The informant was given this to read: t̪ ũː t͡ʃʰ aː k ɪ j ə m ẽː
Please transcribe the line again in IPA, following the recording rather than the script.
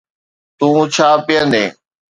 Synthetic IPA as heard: t̪ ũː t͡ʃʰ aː p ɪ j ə n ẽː